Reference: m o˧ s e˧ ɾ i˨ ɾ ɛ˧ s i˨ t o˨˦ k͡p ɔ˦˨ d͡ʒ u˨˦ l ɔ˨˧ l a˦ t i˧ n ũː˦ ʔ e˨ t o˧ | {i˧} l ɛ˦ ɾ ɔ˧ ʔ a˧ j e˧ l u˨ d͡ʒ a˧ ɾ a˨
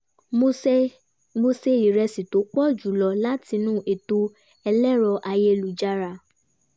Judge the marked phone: incorrect: ɛ˧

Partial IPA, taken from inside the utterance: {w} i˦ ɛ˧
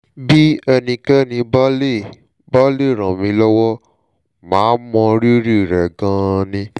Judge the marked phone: incorrect: b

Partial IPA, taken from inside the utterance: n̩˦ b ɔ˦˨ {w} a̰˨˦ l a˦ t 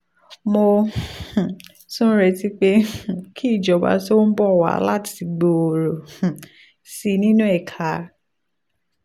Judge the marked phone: correct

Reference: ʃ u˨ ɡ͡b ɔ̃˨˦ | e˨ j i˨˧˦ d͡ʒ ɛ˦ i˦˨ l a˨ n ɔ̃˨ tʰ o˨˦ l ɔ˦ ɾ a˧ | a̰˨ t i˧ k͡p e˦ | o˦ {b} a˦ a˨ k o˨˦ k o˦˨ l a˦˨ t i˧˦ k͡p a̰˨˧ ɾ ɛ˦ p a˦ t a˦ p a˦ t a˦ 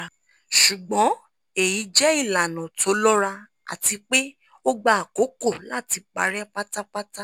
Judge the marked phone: incorrect: ɡ͡b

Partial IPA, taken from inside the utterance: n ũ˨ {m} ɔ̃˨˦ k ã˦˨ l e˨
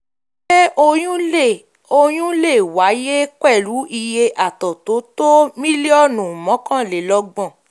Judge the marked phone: correct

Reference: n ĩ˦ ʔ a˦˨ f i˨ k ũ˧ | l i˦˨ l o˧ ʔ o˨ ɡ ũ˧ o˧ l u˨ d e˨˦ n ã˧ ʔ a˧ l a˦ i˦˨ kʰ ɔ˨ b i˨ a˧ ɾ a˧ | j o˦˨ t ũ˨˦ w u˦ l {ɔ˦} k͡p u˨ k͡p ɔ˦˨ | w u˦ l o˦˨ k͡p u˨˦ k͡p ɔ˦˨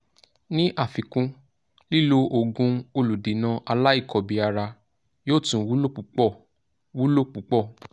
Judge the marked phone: incorrect: o˦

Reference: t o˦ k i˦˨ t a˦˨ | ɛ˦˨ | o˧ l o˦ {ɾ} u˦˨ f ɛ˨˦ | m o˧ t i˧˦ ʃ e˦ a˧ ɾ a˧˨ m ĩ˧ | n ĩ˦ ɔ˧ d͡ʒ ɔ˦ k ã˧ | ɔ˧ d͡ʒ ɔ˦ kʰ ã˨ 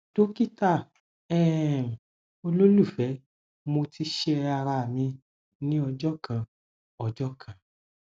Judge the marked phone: incorrect: l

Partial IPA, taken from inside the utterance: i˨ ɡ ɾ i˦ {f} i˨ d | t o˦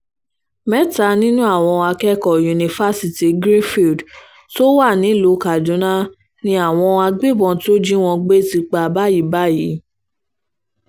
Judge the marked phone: correct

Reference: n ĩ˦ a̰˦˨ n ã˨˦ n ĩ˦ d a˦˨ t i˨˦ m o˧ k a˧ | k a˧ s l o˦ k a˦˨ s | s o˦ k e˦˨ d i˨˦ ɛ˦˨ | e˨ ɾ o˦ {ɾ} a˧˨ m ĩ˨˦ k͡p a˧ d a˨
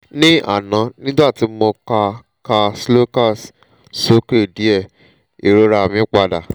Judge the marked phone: correct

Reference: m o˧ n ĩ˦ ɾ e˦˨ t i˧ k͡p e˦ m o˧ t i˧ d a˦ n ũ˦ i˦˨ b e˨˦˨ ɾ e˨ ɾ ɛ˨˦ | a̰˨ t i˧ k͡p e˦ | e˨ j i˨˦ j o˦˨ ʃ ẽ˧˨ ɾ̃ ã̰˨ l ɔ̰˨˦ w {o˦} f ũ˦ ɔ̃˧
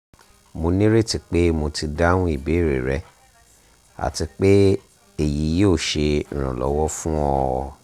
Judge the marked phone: incorrect: ɔ˦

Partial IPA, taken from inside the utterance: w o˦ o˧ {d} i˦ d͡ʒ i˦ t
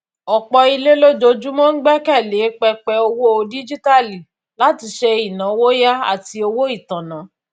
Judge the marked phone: correct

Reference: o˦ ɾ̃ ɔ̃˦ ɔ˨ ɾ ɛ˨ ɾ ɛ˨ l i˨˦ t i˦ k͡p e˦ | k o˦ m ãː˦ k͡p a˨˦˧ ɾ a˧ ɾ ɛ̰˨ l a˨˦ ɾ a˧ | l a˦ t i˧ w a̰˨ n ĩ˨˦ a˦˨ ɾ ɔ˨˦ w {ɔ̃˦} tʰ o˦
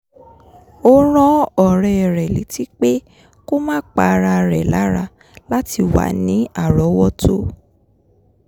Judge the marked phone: incorrect: ɔ˦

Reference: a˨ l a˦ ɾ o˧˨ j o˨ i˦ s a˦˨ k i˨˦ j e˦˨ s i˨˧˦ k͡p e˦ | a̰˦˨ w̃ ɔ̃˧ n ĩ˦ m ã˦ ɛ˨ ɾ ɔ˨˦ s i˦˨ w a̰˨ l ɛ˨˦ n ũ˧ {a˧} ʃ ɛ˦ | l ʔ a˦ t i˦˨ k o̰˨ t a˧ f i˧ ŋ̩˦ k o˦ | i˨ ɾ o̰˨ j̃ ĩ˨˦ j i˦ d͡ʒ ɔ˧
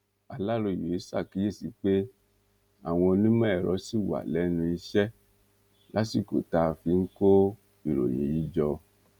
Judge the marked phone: incorrect: i˧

